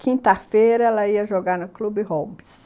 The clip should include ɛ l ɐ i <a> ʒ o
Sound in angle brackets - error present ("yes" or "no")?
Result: yes